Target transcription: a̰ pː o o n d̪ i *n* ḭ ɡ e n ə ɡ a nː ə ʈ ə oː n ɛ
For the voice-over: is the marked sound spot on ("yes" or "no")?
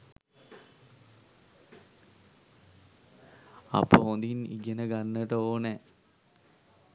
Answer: yes